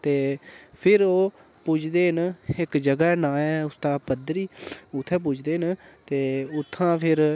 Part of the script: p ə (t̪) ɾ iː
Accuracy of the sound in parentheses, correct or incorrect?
incorrect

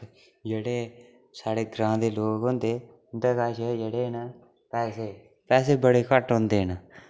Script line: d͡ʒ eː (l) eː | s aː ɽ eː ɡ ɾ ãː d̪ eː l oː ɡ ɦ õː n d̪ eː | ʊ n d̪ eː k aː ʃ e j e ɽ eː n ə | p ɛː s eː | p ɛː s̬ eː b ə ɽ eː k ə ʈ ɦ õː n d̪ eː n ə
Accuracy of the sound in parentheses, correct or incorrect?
incorrect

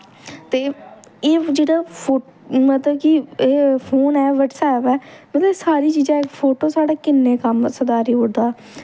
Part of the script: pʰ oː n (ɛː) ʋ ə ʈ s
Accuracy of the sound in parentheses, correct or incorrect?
correct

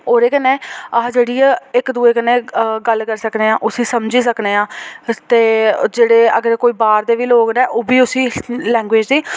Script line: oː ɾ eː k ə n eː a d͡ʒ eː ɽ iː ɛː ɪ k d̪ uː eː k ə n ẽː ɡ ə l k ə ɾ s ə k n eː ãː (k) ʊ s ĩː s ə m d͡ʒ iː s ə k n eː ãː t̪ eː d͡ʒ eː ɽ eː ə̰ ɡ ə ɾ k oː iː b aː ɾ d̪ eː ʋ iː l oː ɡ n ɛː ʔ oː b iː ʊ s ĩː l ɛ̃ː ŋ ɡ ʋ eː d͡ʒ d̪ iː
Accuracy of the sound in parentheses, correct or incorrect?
incorrect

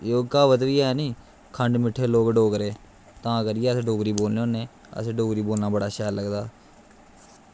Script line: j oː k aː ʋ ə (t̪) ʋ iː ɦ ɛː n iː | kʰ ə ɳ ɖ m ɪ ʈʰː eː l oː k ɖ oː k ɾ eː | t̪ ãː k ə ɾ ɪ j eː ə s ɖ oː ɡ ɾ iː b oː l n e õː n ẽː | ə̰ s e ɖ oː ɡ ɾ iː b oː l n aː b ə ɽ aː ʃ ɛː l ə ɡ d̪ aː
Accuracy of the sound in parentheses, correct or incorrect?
correct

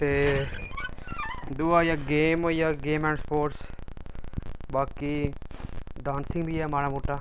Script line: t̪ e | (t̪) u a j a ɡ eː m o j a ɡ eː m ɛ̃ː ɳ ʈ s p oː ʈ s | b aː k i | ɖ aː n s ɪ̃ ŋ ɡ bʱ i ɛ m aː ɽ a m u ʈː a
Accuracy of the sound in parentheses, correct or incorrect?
incorrect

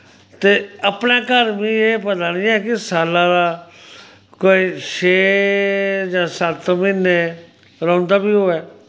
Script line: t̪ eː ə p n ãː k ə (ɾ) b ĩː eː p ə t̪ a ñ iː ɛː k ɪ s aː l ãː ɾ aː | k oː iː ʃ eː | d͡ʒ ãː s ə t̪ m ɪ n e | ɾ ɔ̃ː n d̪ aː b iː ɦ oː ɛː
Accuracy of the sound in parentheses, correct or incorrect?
correct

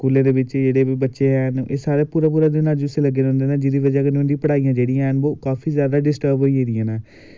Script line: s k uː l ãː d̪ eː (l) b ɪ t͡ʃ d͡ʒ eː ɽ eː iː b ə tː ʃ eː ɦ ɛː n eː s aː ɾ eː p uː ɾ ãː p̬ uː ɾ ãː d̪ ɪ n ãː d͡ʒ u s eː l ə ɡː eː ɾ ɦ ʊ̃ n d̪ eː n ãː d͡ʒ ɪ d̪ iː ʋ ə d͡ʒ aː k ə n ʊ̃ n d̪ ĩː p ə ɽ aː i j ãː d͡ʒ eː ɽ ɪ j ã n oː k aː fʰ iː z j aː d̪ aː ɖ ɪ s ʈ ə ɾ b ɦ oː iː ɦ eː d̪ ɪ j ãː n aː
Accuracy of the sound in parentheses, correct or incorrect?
incorrect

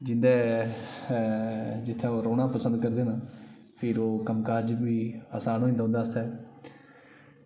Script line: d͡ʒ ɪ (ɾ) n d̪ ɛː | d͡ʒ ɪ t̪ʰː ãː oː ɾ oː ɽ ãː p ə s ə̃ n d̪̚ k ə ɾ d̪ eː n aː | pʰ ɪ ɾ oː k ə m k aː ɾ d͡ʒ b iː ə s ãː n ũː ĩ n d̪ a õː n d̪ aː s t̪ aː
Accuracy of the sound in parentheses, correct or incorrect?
incorrect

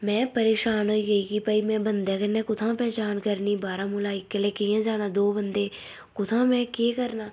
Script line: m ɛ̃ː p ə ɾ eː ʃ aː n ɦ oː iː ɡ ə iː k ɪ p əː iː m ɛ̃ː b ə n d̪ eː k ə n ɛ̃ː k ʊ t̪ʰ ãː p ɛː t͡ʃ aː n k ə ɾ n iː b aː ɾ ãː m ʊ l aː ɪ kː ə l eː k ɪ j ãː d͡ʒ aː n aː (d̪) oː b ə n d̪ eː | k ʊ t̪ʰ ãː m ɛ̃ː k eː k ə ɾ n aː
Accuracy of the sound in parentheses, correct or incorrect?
correct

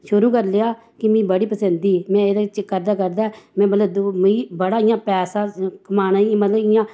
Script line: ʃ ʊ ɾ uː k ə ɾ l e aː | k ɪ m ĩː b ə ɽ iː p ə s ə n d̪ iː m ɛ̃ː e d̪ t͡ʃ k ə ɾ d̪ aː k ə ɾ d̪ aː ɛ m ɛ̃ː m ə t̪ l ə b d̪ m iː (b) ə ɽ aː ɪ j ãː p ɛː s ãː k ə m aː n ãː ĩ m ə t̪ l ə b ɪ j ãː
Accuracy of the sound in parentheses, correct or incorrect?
correct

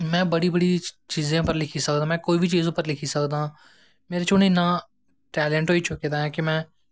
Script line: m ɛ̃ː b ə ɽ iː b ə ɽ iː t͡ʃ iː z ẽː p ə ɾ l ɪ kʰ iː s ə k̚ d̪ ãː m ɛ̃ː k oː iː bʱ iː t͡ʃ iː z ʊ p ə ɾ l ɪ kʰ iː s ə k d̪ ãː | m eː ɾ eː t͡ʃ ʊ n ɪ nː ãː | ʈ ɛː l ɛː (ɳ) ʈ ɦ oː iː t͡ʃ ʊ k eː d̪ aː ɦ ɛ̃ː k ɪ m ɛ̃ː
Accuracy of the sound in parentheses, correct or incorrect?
correct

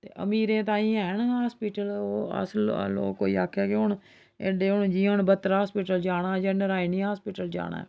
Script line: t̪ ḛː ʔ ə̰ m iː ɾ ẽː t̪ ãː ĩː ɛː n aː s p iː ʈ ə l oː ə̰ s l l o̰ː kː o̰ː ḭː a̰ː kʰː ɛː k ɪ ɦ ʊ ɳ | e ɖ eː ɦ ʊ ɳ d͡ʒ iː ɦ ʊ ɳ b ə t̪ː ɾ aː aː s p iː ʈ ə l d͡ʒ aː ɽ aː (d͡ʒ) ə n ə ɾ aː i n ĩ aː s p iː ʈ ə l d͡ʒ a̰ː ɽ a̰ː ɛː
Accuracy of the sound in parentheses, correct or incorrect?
correct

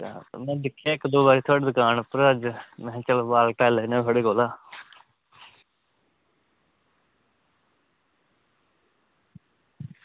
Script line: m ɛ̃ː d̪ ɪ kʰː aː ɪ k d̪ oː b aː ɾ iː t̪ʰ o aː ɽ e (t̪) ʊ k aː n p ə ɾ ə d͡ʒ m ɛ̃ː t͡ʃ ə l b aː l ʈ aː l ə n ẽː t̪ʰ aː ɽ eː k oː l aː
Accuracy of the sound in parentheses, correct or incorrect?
incorrect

